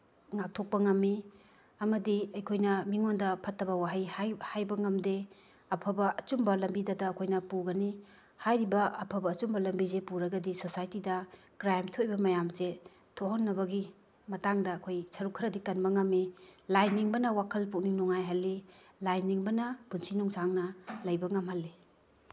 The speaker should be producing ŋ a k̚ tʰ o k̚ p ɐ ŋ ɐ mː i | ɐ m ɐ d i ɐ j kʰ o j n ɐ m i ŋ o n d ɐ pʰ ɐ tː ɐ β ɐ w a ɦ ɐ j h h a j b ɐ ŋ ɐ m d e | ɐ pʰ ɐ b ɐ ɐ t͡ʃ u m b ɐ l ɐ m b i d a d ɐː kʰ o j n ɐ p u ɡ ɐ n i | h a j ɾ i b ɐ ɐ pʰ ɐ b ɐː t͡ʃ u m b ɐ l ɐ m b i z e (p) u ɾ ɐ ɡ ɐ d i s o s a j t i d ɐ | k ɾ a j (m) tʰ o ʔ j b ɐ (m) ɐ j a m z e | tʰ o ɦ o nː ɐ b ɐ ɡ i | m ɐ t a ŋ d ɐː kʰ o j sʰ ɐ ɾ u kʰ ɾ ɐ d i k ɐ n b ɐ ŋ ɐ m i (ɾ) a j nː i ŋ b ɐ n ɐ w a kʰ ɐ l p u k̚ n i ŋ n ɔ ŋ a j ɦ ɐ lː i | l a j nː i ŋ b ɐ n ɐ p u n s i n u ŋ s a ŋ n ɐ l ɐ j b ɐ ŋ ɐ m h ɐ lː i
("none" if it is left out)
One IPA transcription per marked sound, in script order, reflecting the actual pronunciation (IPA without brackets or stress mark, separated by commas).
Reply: p, m, m, l